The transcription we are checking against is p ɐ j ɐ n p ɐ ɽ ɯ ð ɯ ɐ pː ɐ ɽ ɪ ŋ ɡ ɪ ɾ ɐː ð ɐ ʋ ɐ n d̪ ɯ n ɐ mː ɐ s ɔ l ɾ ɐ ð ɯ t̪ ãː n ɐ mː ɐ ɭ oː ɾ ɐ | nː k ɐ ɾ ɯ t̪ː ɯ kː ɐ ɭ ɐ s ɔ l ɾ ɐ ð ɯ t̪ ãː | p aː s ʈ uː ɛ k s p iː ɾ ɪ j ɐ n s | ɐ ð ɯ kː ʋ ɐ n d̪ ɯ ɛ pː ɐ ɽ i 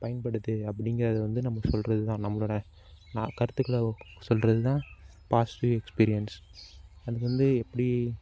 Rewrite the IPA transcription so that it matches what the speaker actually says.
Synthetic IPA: p ɐ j ɐ n p ɐ ɽ ɯ ð ɯ ɐ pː ɐ ɽ ɪ ŋ ɡ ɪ ɾ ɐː ð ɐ ʋ ɐ n d̪ ɯ n ɐ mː ɐ s ɔ l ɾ ɐ ð ɯ t̪ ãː n ɐ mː ɐ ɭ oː ɽ ɐ | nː k ɐ ɾ ɯ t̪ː ɯ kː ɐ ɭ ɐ s ɔ l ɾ ɐ ð ɯ t̪ ãː | p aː s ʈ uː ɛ k s p iː ɾ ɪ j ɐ n s | ɐ ð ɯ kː ʋ ɐ n d̪ ɯ ɛ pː ɐ ɽ i